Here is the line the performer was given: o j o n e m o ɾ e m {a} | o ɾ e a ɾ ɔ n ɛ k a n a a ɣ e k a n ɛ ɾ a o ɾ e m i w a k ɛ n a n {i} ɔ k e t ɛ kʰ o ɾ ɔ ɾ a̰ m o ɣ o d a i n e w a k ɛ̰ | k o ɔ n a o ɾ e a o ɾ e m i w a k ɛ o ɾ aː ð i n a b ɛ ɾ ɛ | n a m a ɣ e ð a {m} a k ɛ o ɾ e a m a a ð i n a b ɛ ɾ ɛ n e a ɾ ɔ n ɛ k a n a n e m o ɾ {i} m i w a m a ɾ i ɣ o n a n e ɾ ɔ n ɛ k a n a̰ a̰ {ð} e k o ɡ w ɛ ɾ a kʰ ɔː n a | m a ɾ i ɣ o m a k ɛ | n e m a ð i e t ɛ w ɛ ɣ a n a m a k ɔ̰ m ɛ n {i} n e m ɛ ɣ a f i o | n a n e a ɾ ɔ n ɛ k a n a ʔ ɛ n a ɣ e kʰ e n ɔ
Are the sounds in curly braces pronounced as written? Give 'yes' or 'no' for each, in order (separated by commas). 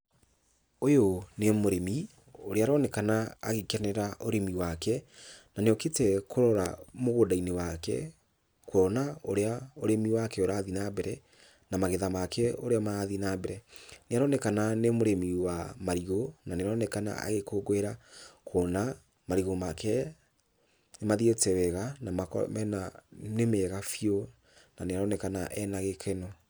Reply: no, no, yes, no, no, no